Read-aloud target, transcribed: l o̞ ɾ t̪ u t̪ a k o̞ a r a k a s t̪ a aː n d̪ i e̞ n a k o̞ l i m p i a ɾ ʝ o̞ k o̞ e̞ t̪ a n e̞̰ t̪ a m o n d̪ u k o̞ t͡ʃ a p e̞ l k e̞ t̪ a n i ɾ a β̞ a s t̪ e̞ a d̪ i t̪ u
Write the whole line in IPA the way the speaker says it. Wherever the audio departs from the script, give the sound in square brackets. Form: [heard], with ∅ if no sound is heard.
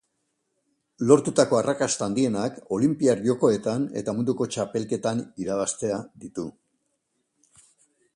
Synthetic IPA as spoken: l o̞ ɾ t̪ u t̪ a k o̞ a r a k a s t̪ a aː n d̪ i e̞ n a k o̞ l i m p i a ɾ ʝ o̞ k o̞ e̞ t̪ a n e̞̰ t̪ a m [u] n d̪ u k o̞ t͡ʃ a p e̞ l k e̞ t̪ a n i ɾ a β̞ a s t̪ e̞ a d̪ i t̪ u